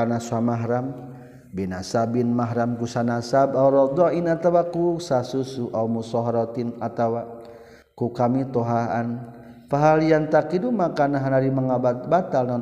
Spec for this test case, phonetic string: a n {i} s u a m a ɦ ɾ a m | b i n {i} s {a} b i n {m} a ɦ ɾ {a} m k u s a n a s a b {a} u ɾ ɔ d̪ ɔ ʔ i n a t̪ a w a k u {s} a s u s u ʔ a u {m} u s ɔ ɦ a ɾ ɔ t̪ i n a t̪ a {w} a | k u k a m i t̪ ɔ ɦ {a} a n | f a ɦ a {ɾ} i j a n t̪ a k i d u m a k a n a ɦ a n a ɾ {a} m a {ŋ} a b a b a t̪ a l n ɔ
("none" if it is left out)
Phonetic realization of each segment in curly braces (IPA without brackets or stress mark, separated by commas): a, a, a, m, a, a, s, m, w, a, l, i, ŋ